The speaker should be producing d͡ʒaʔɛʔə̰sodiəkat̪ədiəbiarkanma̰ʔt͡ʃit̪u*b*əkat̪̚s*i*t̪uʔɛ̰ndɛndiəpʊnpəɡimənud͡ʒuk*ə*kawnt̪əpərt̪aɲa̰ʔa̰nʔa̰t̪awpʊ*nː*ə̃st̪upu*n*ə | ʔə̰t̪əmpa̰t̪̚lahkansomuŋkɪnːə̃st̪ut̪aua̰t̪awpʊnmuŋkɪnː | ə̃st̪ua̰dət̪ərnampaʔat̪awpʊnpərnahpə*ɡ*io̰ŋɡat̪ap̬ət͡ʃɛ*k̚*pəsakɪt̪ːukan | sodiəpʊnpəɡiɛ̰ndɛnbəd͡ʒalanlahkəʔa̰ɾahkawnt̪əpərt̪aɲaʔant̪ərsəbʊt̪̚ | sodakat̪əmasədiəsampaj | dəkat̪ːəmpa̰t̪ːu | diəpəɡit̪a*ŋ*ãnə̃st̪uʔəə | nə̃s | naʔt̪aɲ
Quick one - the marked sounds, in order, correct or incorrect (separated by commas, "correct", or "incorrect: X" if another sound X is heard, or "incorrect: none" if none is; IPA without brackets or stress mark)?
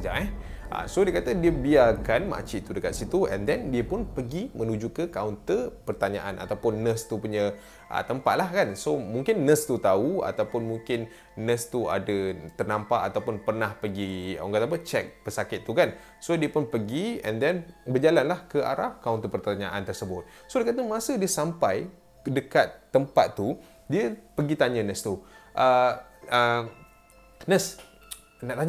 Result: incorrect: d, correct, correct, correct, incorrect: ɲ, correct, correct, incorrect: ɲ